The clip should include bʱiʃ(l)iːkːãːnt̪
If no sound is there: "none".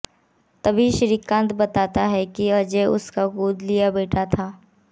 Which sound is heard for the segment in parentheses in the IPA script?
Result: ɾ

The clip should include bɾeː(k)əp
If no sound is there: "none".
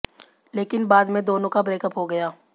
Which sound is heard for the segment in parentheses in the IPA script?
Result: k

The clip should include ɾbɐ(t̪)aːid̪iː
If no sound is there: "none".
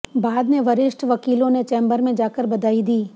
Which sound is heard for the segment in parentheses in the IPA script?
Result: d̪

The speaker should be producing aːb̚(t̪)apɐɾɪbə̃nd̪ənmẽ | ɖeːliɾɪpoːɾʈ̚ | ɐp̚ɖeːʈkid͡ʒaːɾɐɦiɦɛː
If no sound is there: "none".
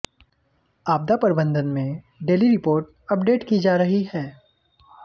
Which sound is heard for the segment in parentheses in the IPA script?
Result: d̪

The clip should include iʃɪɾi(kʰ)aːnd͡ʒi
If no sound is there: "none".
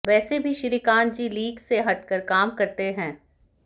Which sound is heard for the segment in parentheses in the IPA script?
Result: k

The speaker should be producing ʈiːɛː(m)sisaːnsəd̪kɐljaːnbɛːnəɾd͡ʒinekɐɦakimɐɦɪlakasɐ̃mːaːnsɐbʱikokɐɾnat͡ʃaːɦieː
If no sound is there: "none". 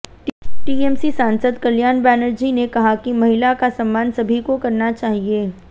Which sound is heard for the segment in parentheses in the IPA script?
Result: m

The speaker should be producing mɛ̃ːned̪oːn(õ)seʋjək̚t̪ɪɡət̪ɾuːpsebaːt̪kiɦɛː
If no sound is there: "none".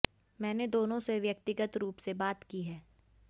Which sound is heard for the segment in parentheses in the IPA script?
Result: õ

